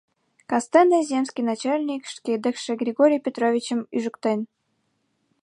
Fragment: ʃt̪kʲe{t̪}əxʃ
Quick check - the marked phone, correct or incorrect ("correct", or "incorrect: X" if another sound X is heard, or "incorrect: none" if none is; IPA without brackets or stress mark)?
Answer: incorrect: d̪